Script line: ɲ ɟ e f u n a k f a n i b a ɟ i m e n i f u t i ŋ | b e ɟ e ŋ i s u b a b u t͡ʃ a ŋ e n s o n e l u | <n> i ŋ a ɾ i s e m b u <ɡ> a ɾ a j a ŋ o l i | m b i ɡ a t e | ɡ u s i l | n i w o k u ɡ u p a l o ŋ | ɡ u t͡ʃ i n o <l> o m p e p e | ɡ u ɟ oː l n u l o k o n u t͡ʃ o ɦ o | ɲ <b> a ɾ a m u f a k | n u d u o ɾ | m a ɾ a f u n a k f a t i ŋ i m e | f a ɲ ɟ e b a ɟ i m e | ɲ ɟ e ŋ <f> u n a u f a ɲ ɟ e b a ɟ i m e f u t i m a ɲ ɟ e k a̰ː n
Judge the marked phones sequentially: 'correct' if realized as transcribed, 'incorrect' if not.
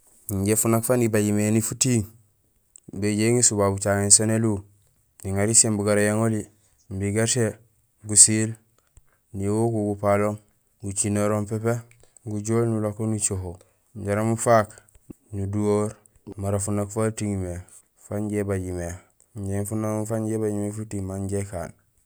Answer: correct, correct, incorrect: ɾ, incorrect: ɟ, correct

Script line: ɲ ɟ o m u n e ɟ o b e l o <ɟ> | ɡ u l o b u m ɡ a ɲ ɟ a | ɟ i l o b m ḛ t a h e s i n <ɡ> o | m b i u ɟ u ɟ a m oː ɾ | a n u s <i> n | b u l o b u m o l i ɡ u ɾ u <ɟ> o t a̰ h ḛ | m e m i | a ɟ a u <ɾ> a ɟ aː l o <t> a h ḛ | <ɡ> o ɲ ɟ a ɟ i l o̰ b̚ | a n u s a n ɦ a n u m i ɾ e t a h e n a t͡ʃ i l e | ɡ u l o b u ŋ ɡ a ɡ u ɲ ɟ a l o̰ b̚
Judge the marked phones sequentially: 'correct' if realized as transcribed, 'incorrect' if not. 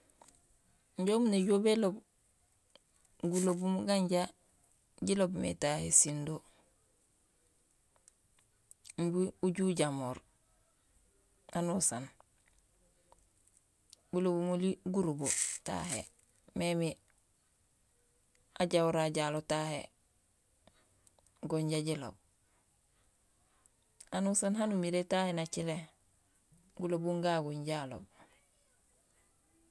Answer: incorrect: b, incorrect: d, incorrect: a, incorrect: b, correct, correct, correct

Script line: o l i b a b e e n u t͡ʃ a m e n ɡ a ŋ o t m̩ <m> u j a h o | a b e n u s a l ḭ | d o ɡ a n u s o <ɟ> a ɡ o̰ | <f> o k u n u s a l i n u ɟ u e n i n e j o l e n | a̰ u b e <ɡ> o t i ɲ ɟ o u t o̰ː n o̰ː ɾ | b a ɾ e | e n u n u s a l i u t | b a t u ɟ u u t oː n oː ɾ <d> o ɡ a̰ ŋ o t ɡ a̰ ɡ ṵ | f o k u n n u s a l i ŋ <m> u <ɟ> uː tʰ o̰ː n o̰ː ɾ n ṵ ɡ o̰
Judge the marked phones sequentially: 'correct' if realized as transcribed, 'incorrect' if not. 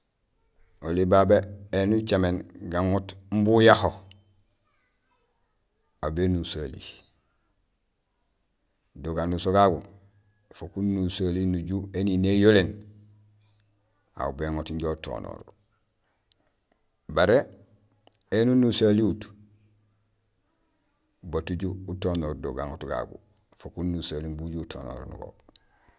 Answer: incorrect: b, incorrect: ɡ, correct, incorrect: ŋ, correct, incorrect: b, correct

